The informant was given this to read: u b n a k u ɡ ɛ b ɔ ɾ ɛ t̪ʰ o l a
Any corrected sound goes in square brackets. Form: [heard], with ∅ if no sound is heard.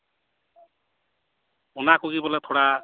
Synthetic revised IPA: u [∅] n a k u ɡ [i] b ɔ [l] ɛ t̪ʰ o [ɽ] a